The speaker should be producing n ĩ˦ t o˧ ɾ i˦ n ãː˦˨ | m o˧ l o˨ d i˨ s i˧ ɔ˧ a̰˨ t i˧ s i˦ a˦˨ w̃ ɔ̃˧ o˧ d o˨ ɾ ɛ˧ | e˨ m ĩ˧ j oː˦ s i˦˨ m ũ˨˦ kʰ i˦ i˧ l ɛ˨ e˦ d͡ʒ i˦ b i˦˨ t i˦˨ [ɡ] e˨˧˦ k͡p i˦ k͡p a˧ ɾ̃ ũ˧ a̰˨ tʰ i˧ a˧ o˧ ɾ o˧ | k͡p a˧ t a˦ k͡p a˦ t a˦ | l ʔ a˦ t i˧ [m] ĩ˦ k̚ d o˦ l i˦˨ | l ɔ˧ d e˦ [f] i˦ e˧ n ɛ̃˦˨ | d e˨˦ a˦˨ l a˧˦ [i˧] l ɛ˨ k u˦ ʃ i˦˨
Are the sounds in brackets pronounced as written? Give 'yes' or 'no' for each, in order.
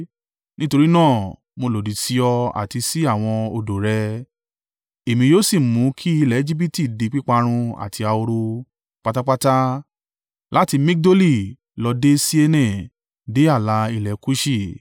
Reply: no, yes, no, yes

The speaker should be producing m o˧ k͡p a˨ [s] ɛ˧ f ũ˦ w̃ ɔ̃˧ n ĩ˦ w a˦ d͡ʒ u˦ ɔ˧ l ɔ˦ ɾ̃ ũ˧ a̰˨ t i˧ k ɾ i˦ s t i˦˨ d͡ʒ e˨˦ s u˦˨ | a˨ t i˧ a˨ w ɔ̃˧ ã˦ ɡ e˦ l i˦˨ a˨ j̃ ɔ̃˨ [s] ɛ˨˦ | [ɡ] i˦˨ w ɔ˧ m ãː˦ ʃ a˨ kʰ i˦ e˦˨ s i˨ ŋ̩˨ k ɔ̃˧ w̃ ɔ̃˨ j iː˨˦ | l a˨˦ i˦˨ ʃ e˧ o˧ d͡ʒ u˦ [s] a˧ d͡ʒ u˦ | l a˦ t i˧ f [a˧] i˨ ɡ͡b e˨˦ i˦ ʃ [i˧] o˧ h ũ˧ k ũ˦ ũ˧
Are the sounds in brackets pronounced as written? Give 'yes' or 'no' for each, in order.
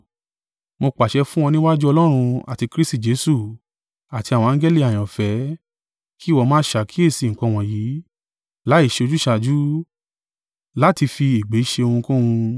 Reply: no, no, no, no, no, no

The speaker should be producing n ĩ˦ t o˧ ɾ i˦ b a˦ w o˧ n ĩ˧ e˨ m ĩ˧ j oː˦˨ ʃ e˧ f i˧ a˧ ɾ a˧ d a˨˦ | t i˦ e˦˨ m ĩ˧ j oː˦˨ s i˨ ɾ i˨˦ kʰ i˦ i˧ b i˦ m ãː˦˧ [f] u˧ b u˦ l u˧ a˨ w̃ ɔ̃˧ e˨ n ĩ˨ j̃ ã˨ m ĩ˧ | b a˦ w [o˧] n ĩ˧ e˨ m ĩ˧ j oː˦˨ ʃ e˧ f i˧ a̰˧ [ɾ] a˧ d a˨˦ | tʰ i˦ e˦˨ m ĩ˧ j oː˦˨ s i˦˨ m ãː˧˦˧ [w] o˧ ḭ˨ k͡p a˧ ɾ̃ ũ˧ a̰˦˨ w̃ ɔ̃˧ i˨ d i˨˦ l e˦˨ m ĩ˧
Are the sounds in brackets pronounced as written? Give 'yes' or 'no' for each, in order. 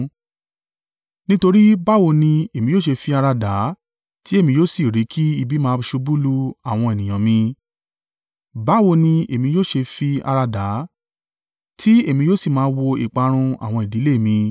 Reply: no, yes, yes, yes

